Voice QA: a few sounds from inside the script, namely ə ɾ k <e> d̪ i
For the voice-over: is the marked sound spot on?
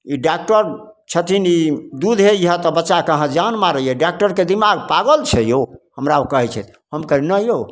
yes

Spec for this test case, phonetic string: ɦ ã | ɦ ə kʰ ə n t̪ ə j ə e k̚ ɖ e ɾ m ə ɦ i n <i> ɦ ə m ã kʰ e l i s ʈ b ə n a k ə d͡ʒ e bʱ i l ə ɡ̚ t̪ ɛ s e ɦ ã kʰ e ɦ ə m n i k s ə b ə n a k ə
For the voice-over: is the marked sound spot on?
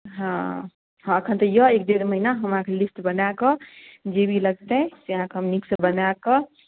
no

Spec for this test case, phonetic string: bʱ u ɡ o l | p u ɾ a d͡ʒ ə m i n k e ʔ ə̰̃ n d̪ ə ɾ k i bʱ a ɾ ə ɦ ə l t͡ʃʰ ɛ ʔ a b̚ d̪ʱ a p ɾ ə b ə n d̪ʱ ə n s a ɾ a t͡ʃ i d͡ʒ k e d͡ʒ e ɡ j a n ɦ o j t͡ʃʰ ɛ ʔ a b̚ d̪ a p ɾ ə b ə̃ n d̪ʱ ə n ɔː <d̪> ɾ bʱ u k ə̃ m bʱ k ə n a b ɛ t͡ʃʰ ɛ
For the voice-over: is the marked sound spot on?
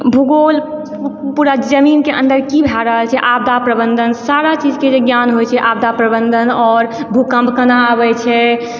no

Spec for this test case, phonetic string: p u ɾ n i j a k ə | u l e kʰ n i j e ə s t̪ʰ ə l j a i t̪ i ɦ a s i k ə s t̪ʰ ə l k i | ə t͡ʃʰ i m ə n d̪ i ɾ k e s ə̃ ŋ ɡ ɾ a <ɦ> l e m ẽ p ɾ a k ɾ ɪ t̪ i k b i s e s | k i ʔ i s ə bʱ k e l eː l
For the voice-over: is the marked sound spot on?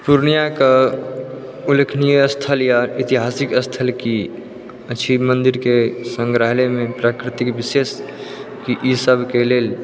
yes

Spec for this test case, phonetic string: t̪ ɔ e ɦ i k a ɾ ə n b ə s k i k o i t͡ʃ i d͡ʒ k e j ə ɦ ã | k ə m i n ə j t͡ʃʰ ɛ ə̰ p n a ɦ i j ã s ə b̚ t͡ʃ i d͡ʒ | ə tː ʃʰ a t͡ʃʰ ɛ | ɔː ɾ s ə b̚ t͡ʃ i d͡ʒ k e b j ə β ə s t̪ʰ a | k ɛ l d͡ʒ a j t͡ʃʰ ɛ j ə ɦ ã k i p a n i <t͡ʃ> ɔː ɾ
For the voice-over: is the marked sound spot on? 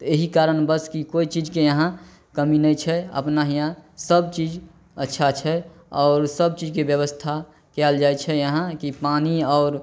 no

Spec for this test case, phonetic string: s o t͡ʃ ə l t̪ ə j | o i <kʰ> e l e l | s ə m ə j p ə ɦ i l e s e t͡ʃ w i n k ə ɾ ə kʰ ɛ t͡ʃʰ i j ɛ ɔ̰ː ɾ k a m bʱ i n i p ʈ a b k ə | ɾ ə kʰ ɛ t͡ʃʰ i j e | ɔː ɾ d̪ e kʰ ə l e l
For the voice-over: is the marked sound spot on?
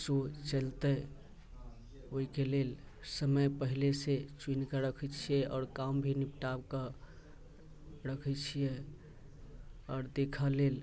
no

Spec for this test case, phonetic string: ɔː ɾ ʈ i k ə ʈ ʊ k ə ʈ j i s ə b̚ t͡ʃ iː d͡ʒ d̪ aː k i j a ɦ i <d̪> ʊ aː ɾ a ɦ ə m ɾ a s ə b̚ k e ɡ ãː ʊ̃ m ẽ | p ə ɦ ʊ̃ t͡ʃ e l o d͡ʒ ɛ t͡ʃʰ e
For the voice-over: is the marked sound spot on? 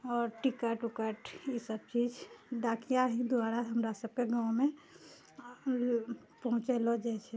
yes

